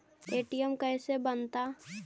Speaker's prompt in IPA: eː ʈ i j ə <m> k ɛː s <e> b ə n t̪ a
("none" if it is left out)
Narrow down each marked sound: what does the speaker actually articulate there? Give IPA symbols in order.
m, e

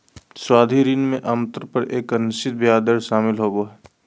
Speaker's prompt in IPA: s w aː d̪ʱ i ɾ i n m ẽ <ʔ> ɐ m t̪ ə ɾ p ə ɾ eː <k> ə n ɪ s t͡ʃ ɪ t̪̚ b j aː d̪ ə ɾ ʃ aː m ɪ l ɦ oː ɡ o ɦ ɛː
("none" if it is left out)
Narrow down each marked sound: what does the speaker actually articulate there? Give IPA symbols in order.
ʔ, k

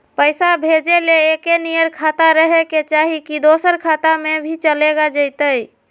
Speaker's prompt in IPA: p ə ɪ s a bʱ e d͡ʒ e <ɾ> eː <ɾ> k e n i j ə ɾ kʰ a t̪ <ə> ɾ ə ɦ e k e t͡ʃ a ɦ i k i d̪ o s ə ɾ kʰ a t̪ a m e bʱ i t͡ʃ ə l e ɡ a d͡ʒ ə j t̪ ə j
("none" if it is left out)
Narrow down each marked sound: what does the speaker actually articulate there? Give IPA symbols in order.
l, none, a

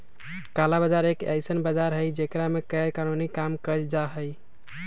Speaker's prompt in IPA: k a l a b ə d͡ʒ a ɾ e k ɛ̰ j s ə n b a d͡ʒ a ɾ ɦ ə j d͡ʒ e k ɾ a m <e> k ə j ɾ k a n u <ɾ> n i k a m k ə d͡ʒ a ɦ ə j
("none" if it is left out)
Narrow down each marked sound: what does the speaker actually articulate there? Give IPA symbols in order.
e, none

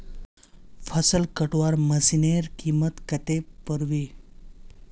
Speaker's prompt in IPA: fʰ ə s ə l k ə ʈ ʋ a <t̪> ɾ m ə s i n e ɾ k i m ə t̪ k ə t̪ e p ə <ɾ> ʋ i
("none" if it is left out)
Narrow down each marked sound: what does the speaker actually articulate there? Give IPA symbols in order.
none, ɾ

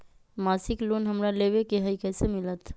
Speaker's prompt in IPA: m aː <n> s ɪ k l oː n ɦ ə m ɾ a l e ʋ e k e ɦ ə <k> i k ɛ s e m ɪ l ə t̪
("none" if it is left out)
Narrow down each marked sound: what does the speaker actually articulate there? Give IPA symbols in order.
none, none

